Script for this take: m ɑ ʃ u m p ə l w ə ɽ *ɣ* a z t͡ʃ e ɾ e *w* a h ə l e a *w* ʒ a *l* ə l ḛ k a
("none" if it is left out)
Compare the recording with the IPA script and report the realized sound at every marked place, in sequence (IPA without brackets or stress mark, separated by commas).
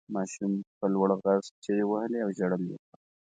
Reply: ɣ, w, w, ɽ